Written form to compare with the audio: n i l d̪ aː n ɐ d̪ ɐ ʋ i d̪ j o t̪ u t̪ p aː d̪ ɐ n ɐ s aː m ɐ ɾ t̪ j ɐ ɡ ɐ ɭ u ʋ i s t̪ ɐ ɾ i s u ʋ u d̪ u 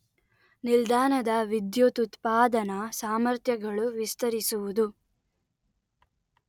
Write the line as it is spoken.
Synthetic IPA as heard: n i l d̪ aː n ɐ d̪ ɐ ʋ i d̪ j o t̪ u t̪ p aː d̪ ɐ n ɐ s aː m ɐ ɾ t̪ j ɐ ɡ ɐ ɭ u ʋ i s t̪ ɐ ɾ i s u ʋ u d̪ u